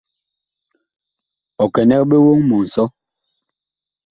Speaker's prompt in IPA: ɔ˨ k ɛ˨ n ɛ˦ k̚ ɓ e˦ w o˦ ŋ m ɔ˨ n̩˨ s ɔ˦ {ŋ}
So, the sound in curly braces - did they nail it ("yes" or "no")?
no